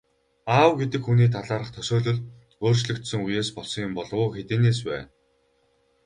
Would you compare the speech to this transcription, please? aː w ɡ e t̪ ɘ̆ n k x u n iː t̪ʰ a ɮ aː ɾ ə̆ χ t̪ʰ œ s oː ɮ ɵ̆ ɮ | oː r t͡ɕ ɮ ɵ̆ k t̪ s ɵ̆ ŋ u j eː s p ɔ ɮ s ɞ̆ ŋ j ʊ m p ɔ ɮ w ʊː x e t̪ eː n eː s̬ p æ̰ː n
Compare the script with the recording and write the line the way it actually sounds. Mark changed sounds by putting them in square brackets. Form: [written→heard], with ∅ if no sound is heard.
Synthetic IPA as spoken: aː w ɡ e t̪ ɘ̆ [n→∅] k x u n iː t̪ʰ a ɮ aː ɾ ə̆ χ t̪ʰ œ s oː ɮ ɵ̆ ɮ | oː r t͡ɕ ɮ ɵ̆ k t̪ s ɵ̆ ŋ u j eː s p ɔ ɮ s ɞ̆ ŋ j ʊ m p ɔ ɮ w ʊː x e t̪ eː n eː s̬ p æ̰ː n

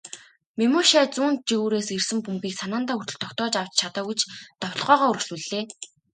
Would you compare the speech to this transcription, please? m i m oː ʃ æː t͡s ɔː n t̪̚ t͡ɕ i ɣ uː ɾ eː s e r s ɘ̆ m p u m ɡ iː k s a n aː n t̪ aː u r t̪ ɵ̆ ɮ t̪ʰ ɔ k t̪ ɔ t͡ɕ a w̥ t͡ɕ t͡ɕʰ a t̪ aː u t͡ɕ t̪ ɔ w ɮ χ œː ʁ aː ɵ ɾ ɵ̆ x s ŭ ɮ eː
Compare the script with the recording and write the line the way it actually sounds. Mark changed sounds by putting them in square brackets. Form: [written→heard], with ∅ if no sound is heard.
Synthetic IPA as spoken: m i m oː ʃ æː t͡s [ɔː→uː] n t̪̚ t͡ɕ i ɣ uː ɾ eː s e r s ɘ̆ m p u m ɡ iː k s a n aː n t̪ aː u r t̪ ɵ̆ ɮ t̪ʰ ɔ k t̪ [ɔ→ɔː] t͡ɕ a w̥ t͡ɕ t͡ɕʰ a t̪ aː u t͡ɕ t̪ ɔ w ɮ [χ→ʁ] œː ʁ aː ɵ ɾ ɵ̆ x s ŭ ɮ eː

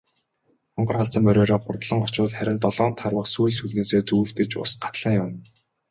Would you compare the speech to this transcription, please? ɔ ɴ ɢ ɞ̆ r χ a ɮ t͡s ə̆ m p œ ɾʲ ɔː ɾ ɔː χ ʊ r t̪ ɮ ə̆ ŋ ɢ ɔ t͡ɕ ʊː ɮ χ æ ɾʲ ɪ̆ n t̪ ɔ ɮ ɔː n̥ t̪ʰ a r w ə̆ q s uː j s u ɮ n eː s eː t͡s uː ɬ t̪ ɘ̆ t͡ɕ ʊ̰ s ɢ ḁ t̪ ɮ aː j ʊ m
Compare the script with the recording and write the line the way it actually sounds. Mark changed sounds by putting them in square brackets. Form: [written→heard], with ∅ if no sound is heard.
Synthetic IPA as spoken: ɔ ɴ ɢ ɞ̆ r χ a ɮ t͡s ə̆ m p œ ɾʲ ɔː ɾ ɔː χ ʊ r t̪ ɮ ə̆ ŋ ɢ ɔ t͡ɕ ʊː ɮ χ æ ɾʲ ɪ̆ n t̪ ɔ ɮ ɔː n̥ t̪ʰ a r w ə̆ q s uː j s u ɮ n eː s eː t͡s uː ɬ t̪ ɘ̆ t͡ɕ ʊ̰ s ɢ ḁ t̪ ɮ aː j ʊ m

